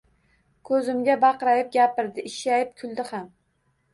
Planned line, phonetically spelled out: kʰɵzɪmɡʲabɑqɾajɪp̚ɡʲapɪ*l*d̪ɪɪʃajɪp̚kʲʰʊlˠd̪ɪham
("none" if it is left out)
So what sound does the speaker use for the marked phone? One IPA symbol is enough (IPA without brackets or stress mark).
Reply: ɾ